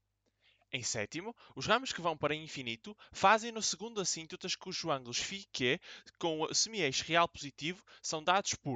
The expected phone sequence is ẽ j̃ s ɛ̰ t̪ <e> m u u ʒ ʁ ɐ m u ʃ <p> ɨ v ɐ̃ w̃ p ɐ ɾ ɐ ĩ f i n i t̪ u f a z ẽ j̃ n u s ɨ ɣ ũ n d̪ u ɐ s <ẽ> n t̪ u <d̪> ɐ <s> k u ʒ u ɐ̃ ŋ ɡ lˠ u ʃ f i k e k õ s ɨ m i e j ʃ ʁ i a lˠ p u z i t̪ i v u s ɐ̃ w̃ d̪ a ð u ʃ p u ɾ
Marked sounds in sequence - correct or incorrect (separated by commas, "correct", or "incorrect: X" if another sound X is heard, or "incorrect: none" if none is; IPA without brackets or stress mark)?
incorrect: i, incorrect: k, incorrect: ĩ, incorrect: t̪, incorrect: ʃ